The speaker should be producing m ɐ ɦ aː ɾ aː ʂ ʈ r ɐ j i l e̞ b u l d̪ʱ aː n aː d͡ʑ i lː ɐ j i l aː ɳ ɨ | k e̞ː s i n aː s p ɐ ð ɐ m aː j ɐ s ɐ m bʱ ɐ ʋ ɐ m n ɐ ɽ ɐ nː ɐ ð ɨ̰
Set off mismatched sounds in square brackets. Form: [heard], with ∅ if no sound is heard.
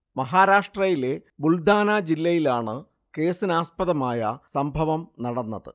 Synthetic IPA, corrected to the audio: m ɐ ɦ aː ɾ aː ʂ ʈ r ɐ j i l e̞ b u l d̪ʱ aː n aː d͡ʑ i lː ɐ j i l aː ɳ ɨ | k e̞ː s i n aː s p ɐ ð ɐ m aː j ɐ s ɐ m bʱ ɐ ʋ ɐ m n ɐ ɽ ɐ nː ɐ ð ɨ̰